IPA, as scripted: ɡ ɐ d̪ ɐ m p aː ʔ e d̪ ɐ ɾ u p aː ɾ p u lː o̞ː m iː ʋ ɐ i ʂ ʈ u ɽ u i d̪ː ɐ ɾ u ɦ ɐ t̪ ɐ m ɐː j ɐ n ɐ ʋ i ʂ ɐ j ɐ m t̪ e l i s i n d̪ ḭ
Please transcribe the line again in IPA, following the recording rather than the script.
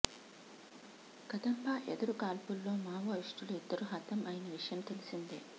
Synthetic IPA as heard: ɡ ɐ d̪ ɐ m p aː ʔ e d̪ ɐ ɾ u k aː l p u lː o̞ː m aː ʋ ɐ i ʂ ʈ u l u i d̪ː ɐ ɾ u ɦ ɐ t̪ ɐ m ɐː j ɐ n ɐ ʋ i ʂ ɐ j ɐ m t̪ e l i s i n d̪ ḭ